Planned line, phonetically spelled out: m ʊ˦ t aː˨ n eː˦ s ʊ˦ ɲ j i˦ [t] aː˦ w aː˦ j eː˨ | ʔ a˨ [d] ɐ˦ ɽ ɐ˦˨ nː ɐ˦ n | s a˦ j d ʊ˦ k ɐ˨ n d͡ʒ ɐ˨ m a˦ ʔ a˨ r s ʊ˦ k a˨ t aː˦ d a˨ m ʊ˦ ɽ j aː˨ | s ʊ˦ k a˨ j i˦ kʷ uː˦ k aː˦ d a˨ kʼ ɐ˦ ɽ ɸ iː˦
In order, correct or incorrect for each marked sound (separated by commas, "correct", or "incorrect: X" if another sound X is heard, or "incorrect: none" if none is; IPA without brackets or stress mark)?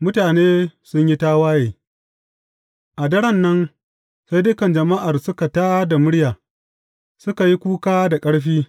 correct, correct